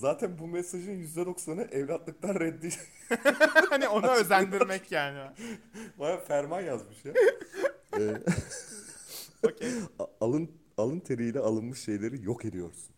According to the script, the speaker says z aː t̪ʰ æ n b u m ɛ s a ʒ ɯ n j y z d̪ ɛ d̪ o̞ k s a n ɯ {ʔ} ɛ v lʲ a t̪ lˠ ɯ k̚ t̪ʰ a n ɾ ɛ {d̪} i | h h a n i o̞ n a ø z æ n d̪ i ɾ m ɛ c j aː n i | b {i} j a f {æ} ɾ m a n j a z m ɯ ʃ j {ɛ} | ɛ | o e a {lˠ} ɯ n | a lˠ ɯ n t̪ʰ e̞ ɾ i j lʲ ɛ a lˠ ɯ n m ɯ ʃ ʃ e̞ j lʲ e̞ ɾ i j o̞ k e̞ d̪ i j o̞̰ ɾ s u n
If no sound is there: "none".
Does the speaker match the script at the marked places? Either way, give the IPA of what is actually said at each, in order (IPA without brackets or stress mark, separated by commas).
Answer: ʔ, d̪ː, a, æ, a, lˠ